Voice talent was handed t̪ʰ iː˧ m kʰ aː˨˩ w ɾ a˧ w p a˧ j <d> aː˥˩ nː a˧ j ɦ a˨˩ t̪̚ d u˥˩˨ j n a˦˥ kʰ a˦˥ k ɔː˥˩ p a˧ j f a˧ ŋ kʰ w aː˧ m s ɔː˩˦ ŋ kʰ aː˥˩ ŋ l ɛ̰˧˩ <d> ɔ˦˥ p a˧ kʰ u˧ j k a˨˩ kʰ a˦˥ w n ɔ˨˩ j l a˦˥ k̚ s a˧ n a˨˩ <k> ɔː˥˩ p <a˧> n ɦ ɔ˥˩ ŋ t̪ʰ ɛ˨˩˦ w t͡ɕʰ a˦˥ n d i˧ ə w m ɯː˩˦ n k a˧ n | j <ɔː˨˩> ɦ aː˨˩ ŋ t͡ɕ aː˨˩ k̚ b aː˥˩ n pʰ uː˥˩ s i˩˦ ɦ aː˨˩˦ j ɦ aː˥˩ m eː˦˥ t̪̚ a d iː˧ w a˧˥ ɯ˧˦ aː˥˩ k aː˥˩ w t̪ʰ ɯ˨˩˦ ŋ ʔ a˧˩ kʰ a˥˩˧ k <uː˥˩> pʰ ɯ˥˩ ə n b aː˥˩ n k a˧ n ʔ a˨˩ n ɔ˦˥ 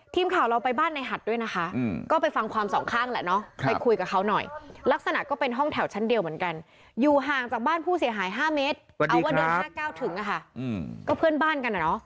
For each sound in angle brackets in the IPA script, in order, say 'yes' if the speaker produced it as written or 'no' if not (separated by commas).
no, no, yes, no, no, no